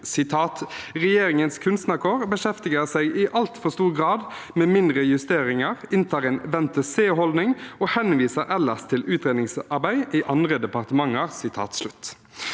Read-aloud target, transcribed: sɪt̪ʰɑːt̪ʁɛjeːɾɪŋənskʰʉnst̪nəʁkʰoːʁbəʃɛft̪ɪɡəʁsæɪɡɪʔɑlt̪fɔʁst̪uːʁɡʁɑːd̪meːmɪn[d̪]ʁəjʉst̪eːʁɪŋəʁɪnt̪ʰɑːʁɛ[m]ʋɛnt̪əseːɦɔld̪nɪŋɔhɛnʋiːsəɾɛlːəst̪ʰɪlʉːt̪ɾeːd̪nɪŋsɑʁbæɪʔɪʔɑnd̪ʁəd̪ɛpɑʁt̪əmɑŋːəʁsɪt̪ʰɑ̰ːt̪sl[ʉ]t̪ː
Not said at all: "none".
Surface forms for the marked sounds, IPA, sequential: d̪, n, ʉ

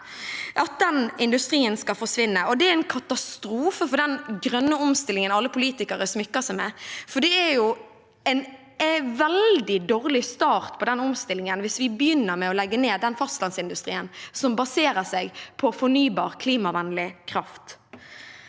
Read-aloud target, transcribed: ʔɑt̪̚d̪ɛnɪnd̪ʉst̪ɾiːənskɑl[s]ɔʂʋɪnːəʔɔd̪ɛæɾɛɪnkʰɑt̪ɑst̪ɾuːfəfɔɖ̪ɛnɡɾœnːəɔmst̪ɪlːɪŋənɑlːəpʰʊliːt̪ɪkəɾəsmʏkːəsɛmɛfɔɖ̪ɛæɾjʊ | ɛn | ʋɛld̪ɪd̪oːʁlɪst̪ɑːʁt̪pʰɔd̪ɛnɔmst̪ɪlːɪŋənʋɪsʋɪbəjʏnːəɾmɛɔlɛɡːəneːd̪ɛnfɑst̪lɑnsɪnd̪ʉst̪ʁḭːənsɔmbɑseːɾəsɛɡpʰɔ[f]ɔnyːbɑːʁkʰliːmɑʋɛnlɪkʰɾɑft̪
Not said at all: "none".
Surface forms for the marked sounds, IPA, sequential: f, f

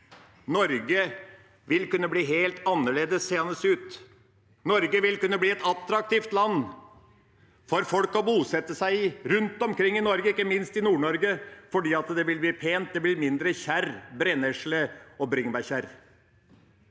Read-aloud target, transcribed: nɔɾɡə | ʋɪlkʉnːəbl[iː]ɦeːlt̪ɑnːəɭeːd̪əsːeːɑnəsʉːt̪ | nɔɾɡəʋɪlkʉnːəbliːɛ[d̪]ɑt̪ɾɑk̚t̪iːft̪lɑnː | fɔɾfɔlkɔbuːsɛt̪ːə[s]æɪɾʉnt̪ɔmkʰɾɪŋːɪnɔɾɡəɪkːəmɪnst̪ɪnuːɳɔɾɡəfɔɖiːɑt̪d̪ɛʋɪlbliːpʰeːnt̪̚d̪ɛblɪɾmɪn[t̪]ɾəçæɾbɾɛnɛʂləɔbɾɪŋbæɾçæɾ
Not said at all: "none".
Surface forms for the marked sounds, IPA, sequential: iː, t̪, s, d̪

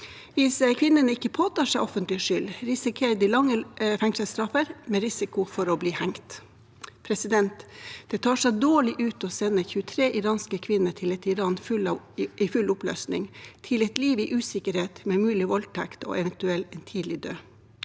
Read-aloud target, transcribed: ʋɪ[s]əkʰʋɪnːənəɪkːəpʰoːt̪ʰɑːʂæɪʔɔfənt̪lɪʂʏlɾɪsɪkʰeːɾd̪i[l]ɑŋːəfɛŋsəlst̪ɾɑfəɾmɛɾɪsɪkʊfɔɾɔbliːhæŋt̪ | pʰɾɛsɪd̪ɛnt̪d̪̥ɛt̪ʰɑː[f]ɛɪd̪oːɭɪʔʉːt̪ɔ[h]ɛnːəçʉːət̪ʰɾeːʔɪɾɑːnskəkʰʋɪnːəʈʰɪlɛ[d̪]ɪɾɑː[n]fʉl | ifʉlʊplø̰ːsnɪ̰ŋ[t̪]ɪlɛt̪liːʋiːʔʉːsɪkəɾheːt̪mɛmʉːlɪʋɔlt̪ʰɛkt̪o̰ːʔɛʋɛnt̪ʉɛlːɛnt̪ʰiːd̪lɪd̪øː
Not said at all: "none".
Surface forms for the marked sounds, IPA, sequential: s, l, ʂ, s, t̪, n, t̪ʰ

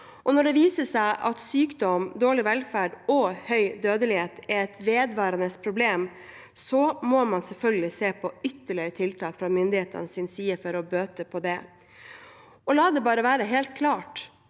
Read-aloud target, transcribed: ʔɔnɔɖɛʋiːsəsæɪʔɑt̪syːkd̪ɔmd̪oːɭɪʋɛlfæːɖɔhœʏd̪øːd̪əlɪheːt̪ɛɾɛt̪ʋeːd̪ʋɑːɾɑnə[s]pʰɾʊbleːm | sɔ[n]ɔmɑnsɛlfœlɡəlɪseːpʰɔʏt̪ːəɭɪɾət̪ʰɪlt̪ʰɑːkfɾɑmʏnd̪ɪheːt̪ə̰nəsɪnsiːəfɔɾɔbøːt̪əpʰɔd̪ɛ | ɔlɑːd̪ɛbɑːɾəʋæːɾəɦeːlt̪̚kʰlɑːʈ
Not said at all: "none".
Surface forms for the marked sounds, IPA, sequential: s, m

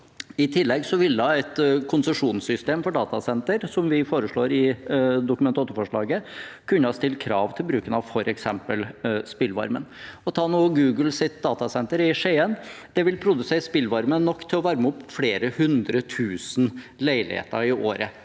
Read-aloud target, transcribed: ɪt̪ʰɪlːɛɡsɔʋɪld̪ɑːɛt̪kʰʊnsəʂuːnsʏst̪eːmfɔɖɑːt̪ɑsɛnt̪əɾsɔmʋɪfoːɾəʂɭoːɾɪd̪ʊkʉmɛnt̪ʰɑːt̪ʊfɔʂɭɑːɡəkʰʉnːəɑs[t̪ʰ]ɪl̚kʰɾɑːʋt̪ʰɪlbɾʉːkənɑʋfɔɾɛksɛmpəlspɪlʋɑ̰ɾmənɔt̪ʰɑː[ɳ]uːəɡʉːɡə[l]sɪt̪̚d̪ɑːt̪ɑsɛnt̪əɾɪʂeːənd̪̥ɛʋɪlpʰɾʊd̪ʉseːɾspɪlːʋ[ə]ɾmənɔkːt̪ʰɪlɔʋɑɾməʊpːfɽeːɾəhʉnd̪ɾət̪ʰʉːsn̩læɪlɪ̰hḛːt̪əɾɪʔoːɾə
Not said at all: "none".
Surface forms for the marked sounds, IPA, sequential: t̪, n, l, ɑ

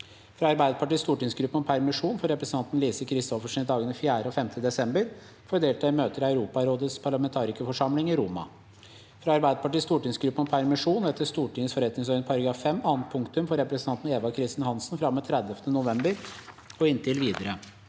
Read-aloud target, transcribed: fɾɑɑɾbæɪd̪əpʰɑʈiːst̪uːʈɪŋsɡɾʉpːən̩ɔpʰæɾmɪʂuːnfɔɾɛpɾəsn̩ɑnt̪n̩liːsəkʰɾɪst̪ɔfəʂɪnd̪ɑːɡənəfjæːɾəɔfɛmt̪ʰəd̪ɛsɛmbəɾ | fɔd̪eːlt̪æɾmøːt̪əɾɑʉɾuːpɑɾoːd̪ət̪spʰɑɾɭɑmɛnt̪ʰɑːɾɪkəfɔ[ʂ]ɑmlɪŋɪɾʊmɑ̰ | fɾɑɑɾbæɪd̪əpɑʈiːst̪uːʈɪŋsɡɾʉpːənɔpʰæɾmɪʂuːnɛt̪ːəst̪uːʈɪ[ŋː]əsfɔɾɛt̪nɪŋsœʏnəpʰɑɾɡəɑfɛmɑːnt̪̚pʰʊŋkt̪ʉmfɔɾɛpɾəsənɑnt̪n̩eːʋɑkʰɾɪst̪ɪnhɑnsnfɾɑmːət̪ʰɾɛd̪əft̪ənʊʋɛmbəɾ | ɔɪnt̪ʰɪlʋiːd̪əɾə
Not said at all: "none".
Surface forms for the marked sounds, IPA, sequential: ʂ, ŋ

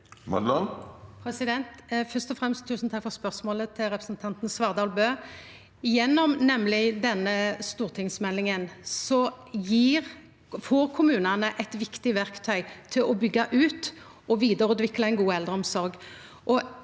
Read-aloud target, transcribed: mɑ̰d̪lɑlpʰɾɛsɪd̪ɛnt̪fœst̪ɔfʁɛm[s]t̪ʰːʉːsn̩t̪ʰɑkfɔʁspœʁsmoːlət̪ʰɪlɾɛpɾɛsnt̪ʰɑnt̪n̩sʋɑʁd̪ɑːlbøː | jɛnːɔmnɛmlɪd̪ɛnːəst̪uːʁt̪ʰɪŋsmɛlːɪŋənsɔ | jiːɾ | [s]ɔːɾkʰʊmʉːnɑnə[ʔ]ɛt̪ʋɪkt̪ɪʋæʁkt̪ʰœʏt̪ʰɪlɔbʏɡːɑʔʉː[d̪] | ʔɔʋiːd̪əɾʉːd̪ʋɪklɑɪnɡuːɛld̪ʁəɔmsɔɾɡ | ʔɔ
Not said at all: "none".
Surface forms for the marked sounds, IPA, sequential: s, f, ʔ, t̪

